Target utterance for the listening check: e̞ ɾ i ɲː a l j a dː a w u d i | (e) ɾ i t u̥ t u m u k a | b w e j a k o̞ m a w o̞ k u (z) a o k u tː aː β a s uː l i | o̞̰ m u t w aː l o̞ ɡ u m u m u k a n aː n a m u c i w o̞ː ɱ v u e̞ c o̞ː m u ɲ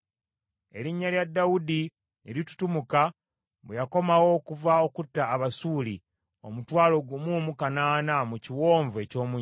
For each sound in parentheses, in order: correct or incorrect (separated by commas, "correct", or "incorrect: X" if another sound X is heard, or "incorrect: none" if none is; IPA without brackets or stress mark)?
correct, incorrect: v